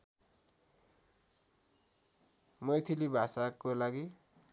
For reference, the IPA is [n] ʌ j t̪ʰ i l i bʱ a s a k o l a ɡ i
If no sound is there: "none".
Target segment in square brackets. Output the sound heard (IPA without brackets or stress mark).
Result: m